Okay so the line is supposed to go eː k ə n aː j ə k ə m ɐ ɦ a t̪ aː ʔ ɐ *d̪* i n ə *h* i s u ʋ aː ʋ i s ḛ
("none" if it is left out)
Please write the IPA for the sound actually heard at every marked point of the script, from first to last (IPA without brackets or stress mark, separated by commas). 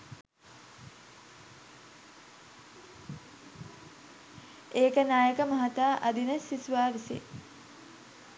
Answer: d̪, s